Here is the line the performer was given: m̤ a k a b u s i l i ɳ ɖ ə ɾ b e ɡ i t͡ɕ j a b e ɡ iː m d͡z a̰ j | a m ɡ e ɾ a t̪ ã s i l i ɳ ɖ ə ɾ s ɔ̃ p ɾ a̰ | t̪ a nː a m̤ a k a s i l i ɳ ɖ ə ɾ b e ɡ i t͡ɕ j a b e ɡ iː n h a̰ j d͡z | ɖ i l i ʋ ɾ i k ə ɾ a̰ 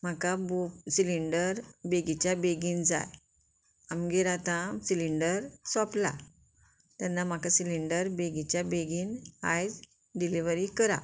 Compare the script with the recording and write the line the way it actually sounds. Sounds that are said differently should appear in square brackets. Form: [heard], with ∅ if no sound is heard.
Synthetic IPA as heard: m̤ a k a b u s i l i ɳ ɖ ə ɾ b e ɡ i t͡ɕ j a b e ɡ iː [n] d͡z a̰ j | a m ɡ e ɾ a t̪ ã s i l i ɳ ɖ ə ɾ s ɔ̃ p [l] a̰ | t̪ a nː a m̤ a k a s i l i ɳ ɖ ə ɾ b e ɡ i t͡ɕ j a b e ɡ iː n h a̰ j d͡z | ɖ i l i ʋ ɾ i k ə ɾ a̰